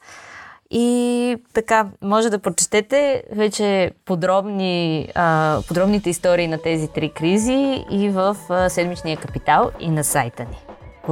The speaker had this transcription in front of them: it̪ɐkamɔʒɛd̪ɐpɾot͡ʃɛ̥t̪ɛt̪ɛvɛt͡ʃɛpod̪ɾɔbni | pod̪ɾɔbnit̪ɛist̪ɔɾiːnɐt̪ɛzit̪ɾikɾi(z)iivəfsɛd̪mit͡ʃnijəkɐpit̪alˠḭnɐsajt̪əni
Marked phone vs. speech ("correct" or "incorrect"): correct